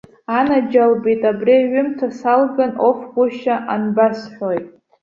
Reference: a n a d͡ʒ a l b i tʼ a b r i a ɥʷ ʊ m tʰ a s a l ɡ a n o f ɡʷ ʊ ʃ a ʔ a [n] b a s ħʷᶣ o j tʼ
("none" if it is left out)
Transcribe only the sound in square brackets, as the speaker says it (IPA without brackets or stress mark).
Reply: n